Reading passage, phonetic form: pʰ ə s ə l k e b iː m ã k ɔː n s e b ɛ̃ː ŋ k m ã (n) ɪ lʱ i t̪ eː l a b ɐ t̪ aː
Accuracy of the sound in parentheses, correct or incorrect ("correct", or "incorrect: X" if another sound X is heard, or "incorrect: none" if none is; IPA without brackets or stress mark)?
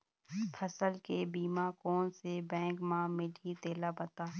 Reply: incorrect: m